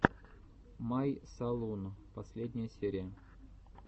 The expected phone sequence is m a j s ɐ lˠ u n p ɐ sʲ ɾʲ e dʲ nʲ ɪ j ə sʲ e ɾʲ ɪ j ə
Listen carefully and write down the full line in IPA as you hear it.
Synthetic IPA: m a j s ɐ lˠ u n p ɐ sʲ lʲ e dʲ nʲ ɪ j ə sʲ e ɾʲ ɪ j ə